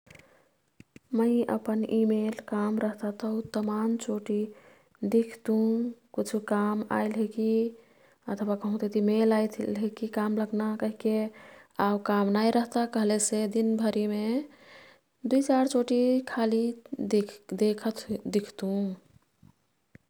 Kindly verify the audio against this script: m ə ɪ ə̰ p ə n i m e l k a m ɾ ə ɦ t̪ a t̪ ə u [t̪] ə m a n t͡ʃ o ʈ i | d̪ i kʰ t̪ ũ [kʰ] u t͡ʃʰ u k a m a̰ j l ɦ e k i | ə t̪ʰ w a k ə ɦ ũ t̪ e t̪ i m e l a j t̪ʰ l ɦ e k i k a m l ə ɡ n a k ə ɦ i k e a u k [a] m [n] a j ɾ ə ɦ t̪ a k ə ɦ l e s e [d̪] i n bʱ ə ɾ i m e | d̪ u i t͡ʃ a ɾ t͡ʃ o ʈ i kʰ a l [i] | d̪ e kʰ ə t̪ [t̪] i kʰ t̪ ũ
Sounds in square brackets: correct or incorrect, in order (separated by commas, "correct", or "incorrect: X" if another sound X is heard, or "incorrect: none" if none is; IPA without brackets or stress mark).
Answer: correct, incorrect: k, correct, correct, correct, correct, incorrect: d̪